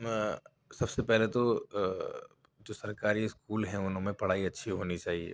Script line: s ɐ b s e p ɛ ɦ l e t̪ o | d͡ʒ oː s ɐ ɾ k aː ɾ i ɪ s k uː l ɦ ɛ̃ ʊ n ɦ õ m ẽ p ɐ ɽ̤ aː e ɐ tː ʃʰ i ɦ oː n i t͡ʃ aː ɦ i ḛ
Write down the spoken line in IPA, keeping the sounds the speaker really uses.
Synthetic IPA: s ɐ b s e p ɛ ɦ l e t̪ o | d͡ʒ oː s ɐ ɾ k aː ɾ i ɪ s k uː l ɦ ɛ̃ ʊ n ɦ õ m ẽ p ɐ ɽ̤ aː i ɐ tː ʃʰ i ɦ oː n i t͡ʃ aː ɦ i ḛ